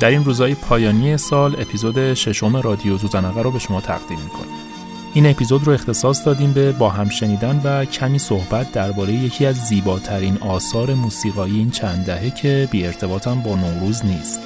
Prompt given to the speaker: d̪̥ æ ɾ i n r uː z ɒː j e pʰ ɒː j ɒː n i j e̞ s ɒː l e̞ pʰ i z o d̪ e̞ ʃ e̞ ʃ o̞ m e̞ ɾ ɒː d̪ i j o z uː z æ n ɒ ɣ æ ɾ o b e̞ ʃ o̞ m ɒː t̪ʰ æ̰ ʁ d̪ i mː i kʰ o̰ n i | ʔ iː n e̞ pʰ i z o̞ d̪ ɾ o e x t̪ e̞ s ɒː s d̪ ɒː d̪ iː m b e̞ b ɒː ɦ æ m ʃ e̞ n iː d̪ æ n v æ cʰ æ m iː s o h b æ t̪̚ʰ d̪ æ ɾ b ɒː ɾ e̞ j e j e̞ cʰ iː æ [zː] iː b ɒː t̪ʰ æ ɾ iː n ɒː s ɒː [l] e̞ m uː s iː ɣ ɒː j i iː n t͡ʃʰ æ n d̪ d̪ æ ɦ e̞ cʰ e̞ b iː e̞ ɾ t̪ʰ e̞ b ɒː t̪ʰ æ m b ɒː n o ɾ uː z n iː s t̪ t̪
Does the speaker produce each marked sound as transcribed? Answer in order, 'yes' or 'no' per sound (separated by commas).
yes, no